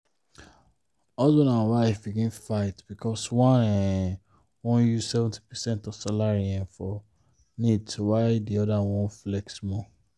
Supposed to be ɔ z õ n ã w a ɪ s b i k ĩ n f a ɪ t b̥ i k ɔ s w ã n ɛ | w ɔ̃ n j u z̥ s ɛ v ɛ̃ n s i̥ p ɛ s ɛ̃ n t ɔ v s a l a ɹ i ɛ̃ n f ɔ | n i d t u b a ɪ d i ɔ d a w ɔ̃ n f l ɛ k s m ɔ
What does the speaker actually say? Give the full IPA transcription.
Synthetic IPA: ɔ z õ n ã w a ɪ f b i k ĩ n f a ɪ t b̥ i k ɔ s w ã n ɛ | w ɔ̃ n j u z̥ s ɛ v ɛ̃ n t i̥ p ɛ s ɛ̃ n t ɔ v s a l a ɹ i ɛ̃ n f ɔ | n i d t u w a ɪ d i ɔ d a w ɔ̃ n f l ɛ k s m ɔ